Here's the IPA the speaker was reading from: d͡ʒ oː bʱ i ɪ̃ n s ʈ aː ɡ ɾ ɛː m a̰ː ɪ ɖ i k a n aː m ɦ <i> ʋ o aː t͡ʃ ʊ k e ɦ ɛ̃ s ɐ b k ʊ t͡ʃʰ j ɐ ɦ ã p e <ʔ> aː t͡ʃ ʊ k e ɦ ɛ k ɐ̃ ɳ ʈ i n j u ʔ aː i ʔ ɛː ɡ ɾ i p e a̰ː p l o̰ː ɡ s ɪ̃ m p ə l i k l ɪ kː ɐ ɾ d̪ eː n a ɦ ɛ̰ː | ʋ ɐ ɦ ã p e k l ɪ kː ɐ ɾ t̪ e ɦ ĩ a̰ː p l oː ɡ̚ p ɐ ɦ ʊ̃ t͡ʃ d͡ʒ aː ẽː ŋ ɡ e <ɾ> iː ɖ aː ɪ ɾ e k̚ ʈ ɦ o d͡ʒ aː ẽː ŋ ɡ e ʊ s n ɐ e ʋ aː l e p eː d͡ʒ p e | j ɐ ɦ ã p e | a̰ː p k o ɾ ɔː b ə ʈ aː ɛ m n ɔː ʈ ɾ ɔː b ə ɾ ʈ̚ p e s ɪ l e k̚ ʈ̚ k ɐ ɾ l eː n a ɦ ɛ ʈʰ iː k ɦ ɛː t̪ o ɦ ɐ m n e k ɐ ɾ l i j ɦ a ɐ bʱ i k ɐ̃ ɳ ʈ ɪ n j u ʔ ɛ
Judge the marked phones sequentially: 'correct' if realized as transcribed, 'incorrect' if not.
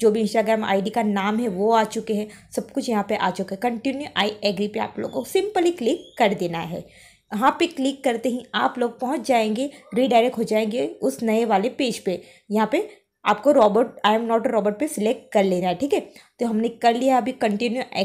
incorrect, correct, correct

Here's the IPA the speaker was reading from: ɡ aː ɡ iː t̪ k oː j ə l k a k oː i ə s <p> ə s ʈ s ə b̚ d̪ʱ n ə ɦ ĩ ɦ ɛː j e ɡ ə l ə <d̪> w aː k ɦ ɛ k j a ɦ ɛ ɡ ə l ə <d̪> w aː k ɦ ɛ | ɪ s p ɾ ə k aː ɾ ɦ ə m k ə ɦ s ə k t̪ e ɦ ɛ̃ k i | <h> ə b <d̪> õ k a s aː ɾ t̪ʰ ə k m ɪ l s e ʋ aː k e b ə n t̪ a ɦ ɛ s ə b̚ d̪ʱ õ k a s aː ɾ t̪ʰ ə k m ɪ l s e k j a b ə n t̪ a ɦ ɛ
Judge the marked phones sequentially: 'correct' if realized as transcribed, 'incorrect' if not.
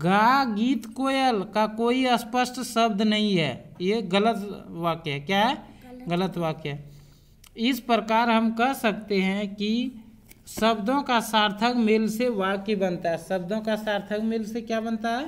correct, incorrect, incorrect, incorrect, correct

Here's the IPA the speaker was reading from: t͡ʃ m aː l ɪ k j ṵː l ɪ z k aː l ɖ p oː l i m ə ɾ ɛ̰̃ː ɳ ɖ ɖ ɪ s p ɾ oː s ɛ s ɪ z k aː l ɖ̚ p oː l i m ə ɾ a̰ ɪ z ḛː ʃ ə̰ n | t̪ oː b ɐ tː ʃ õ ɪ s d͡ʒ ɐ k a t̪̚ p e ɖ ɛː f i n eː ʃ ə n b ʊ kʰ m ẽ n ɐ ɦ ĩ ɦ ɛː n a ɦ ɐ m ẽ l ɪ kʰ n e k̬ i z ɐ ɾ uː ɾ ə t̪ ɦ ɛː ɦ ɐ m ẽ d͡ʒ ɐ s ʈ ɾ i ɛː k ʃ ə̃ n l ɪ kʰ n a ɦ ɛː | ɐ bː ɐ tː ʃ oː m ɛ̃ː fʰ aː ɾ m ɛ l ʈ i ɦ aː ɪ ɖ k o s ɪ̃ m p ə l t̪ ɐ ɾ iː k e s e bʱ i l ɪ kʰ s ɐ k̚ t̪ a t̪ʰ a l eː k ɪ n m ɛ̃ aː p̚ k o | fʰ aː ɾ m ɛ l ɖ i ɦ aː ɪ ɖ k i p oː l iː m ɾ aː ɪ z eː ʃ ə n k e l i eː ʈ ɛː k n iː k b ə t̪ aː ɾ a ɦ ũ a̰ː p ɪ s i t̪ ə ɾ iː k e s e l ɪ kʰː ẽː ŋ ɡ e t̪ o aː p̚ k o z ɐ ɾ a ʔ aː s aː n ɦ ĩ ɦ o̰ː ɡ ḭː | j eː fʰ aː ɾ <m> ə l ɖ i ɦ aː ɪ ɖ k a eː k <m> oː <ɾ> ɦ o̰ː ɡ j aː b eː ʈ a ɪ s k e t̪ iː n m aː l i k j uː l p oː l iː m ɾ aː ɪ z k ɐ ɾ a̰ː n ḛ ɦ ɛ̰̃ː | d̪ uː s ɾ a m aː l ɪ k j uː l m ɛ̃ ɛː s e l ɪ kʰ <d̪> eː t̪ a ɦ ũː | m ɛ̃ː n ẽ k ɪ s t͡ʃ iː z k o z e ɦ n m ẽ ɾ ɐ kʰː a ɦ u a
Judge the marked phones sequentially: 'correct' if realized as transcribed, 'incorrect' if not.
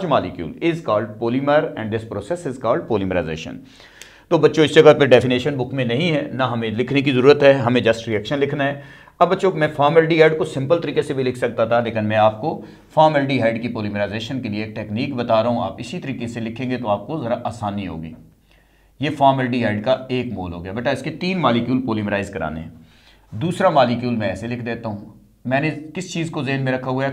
correct, correct, incorrect, correct

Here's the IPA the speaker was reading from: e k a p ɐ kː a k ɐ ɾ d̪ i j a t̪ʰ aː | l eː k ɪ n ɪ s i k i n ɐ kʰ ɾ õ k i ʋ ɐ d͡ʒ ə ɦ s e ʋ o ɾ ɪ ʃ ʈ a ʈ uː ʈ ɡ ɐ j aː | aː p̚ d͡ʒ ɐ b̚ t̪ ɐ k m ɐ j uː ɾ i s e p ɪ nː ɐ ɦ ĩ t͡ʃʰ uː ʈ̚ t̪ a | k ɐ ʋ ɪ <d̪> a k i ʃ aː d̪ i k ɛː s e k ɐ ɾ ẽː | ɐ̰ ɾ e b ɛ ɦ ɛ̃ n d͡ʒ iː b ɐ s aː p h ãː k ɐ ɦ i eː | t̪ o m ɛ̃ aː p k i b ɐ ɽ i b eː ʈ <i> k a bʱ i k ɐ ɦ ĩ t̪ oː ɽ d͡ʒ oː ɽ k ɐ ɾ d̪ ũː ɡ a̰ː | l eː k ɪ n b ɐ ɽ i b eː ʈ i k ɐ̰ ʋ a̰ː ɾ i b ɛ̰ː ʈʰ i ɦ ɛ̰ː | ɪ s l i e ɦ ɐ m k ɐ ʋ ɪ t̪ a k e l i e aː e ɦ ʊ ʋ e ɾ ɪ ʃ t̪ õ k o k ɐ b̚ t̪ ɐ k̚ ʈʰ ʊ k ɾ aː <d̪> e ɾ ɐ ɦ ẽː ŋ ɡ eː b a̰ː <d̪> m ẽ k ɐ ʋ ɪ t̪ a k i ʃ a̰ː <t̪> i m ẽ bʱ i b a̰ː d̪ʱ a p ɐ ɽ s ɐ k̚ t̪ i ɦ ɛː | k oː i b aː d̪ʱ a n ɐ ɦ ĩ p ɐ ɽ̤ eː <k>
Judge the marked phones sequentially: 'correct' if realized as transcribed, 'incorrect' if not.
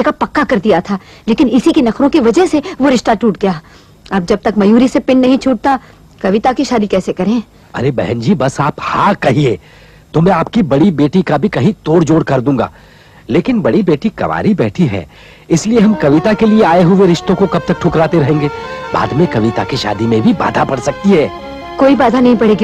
incorrect, correct, incorrect, correct, incorrect, incorrect

